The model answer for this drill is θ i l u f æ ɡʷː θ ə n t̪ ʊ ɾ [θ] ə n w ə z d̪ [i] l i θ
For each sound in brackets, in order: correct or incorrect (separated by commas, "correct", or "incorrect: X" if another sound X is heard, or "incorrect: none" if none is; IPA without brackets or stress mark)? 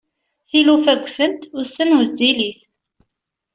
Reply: incorrect: s, correct